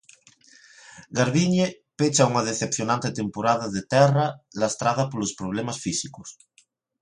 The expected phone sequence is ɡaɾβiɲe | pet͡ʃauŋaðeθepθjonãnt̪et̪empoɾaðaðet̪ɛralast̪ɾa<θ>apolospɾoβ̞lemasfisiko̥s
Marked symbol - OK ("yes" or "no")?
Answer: no